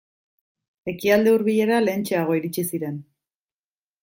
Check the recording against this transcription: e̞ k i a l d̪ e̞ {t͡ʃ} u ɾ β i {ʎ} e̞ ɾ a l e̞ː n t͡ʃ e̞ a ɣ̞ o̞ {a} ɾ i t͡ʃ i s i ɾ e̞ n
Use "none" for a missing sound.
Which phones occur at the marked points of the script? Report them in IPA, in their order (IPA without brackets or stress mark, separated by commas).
none, ʎ, i